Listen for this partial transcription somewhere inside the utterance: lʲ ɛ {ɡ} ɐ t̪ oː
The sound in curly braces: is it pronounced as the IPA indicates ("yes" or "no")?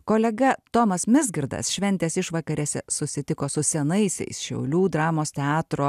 yes